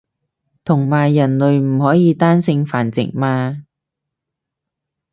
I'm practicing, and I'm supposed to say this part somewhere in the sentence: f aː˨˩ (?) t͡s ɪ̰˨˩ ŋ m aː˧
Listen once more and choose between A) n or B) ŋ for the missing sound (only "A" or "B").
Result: A